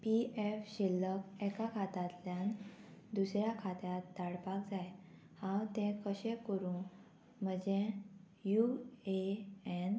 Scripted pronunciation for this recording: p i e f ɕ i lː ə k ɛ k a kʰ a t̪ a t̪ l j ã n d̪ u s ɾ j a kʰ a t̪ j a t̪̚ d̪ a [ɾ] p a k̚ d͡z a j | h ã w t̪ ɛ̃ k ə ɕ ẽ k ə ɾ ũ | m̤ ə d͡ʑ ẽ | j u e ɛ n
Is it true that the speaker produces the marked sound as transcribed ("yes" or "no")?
no